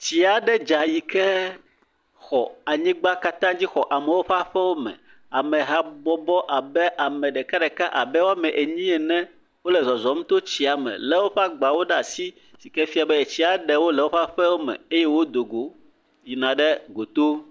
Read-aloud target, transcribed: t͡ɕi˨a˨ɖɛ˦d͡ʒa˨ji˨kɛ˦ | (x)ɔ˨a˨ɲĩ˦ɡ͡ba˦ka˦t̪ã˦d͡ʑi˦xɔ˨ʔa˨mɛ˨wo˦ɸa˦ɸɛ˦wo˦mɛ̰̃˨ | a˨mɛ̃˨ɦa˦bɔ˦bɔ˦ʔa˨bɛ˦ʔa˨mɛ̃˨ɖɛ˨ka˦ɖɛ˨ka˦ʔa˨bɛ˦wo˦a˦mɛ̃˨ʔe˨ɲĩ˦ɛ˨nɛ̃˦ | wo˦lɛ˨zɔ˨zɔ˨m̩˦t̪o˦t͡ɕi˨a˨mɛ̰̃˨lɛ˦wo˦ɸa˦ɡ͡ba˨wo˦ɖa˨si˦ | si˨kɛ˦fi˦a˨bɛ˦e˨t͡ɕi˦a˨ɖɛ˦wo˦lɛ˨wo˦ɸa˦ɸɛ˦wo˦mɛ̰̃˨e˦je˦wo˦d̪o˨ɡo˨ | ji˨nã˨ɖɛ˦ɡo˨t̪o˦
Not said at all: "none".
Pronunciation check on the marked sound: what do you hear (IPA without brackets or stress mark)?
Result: x